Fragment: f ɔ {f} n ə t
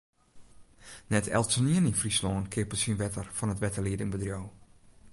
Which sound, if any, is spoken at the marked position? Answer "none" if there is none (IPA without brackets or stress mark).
none